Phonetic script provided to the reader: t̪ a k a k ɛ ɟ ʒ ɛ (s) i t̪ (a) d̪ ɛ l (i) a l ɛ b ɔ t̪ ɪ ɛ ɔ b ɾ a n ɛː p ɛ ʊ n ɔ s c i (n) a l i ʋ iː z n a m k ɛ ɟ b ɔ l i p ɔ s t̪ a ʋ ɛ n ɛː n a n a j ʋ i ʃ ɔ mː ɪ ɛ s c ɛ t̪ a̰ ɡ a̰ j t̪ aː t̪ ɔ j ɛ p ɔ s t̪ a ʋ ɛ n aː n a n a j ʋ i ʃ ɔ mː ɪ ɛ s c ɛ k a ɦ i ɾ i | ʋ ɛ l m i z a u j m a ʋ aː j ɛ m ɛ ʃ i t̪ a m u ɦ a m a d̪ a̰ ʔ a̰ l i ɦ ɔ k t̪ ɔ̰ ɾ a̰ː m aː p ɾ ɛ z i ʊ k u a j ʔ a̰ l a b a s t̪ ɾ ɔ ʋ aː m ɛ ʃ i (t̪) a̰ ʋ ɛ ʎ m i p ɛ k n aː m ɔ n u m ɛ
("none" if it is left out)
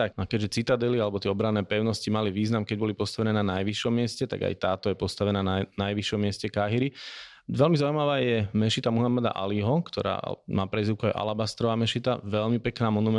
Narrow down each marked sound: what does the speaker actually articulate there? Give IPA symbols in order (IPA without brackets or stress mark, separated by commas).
t͡s, a, i, m, t̪